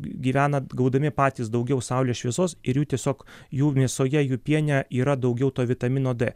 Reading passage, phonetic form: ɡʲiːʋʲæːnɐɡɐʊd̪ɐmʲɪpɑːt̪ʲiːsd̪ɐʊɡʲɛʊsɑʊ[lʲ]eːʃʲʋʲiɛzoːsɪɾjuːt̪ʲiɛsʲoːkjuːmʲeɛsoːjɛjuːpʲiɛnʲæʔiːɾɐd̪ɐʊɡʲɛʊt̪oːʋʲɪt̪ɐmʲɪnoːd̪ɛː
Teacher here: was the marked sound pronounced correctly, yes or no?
yes